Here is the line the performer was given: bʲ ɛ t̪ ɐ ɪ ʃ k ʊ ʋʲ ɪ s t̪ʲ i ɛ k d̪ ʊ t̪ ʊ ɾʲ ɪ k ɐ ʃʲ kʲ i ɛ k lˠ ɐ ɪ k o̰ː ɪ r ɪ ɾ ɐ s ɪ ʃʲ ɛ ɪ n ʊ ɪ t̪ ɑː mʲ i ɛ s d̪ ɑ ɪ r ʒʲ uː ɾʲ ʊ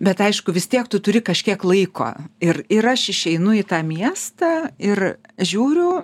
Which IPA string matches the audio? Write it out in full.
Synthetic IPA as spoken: bʲ ɛ t̪ ɐ ɪ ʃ k ʊ ʋʲ ɪ s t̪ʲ i ɛ k t̪ ʊ t̪ ʊ ɾʲ ɪ k ɐ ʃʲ kʲ i ɛ k lˠ ɐ ɪ k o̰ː ɪ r ɪ ɾ ɐ ʃ ɪ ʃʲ ɛ ɪ n ʊ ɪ t̪ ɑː mʲ i ɛ s t̪ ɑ ɪ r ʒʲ uː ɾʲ ʊ

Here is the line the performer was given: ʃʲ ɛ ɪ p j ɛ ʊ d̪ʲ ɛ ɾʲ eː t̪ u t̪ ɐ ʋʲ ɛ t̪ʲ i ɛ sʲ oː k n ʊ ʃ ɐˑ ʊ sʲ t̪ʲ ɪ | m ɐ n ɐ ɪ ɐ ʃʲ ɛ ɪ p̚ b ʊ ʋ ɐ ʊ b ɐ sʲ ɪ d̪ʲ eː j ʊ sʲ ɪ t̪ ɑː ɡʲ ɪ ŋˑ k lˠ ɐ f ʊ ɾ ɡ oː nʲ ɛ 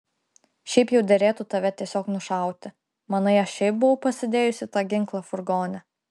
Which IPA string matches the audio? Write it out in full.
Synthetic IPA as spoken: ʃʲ ɛ ɪ p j ɛ ʊ d̪ʲ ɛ ɾʲ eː t̪ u t̪ ɐ ʋʲ ɛ t̪ʲ i ɛ sʲ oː k n ʊ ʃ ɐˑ ʊ t̪ʲ ɪ | m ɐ n ɐ ɪ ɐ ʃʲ ɛ ɪ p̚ b ʊ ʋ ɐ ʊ p ɐ sʲ ɪ d̪ʲ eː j ʊ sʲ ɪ t̪ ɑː ɡʲ ɪ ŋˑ k lˠ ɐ f ʊ ɾ ɡ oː nʲ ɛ

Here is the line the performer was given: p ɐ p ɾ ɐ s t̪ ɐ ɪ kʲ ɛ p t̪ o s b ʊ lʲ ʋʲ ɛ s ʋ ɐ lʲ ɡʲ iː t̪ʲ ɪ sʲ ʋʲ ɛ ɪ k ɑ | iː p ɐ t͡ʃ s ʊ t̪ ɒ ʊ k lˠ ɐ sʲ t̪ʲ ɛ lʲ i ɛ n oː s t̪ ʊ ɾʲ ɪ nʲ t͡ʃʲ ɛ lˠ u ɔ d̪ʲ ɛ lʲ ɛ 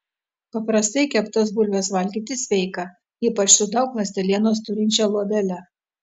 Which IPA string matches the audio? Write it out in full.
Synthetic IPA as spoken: p ɐ p ɾ ɐ s t̪ ɐ ɪ kʲ ɛ p t̪ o s b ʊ lʲ ʋʲ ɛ s ʋ ɐ lʲ ɡʲ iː t̪ʲ ɪ sʲ ʋʲ ɛ ɪ k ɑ | iː p ɐ t͡ʃ s ʊ d̪ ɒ ʊ k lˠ ɐ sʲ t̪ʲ ɛ lʲ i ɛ n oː s t̪ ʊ ɾʲ ɪ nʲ t͡ʃʲ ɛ lˠ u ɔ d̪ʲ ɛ lʲ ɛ

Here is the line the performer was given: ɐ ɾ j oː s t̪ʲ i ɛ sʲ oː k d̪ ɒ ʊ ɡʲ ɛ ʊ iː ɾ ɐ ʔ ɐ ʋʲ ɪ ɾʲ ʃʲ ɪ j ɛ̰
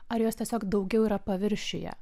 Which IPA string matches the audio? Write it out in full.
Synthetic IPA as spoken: ɐ ɾ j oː s t̪ʲ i ɛ sʲ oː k d̪ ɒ ʊ ɡʲ ɛ ʊ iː ɾ ɐ p ɐ ʋʲ ɪ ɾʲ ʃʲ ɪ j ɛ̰

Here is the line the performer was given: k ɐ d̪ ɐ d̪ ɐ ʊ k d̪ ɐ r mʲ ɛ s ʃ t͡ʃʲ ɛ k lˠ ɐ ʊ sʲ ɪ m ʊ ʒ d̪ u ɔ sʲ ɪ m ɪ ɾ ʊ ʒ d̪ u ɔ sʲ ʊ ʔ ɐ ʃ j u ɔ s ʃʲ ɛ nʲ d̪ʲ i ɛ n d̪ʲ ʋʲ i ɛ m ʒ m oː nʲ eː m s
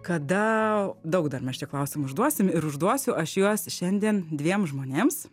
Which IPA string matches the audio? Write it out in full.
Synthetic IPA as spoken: k ɐ d̪ ɐ d̪ ɐ ʊ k d̪ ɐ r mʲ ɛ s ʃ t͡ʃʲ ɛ k lˠ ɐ ʊ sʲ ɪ m ʊ ʒ d̪ u ɔ sʲ ɪ m ɪ ɾ ʊ ʒ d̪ u ɔ sʲ ʊ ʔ ɐ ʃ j u ɔ s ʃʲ ɛ nʲ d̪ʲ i ɛ n d̪ʲ ʋʲ i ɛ m ʒ m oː nʲ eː m s

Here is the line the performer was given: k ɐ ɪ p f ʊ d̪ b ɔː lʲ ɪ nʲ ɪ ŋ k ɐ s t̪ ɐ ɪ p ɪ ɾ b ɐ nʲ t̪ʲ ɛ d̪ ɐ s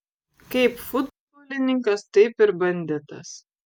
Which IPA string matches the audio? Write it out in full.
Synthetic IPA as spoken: k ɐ ɪ p f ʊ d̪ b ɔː lʲ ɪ nʲ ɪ ŋ k ɐ s t̪ ɐ ɪ p ɪ ɾ b ɐ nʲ d̪ʲ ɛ t̪ ɐ s

